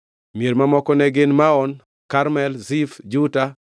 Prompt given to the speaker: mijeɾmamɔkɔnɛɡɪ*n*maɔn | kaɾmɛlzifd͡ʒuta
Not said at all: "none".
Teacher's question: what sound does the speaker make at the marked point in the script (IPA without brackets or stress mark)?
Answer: n